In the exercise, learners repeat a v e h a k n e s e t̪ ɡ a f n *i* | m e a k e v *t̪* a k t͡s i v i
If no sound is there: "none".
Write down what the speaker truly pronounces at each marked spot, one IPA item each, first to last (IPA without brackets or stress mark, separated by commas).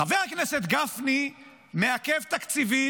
i, t̪